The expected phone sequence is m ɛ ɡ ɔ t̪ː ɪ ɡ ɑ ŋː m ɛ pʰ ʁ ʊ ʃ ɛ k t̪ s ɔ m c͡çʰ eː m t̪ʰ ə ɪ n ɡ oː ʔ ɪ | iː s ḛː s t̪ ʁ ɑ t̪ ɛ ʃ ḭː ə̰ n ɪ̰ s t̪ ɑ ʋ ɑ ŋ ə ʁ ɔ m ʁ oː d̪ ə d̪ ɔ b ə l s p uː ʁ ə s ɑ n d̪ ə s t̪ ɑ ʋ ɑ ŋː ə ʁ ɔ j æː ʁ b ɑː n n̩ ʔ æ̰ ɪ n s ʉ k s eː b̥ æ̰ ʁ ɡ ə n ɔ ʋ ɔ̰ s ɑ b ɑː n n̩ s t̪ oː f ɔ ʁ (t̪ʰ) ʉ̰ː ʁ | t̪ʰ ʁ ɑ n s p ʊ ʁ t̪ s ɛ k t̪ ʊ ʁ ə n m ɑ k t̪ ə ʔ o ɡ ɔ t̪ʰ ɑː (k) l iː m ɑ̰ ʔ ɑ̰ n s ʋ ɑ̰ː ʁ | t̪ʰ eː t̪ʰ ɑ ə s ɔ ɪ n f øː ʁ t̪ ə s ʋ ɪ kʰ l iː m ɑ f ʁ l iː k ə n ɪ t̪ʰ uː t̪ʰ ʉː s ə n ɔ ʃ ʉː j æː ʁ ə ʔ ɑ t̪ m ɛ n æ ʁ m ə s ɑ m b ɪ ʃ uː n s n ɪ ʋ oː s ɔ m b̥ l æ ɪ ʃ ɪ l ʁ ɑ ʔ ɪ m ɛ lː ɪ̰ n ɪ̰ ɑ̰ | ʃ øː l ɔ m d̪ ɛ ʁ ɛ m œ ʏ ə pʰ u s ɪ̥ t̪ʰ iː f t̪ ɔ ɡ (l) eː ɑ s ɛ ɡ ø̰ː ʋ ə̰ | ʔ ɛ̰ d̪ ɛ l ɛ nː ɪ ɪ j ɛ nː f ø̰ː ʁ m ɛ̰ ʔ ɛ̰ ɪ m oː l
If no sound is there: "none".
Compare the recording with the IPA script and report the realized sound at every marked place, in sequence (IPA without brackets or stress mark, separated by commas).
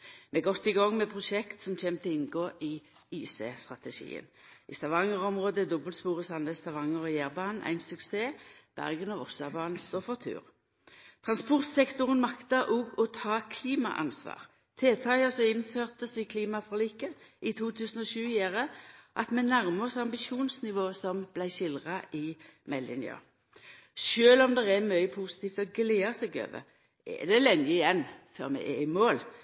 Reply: t̪ʰ, kʰ, l